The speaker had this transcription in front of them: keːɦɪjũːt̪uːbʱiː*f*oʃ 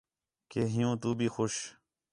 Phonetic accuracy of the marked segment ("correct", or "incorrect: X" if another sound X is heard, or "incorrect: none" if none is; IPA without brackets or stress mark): incorrect: x